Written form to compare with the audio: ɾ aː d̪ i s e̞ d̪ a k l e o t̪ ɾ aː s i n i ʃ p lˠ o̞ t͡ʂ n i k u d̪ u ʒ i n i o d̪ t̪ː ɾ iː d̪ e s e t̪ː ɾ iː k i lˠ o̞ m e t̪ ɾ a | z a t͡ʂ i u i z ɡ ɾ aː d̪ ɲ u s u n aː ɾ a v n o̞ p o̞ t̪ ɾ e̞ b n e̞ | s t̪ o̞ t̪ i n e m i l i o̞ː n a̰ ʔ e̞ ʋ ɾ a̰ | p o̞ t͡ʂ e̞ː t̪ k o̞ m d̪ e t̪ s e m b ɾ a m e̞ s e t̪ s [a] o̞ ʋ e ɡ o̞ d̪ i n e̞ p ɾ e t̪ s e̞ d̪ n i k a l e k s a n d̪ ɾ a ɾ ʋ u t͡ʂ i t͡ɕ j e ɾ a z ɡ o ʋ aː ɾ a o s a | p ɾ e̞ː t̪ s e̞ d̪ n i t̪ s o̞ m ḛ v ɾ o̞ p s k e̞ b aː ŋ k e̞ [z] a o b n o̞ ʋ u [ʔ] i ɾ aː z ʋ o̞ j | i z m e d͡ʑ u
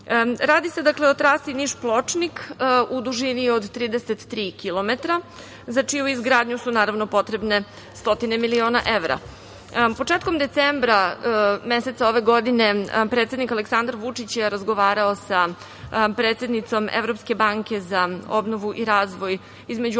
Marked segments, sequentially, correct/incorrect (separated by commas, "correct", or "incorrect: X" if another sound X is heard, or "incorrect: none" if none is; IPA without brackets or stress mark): correct, correct, correct